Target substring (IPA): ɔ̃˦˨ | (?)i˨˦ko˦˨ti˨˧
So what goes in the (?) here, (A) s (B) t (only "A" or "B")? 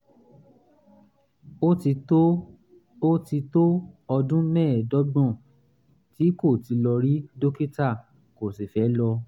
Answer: B